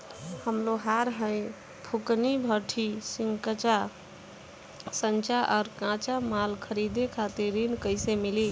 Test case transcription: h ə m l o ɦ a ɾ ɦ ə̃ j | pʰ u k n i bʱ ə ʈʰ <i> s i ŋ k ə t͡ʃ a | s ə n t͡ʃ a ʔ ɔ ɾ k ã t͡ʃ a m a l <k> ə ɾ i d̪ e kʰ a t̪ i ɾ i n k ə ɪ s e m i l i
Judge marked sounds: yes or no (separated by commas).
yes, no